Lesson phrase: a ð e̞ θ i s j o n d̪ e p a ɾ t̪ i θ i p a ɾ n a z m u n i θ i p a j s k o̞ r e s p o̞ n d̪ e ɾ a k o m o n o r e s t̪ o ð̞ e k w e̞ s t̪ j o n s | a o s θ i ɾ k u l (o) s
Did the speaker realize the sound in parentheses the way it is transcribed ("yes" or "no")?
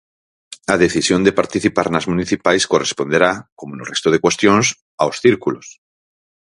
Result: yes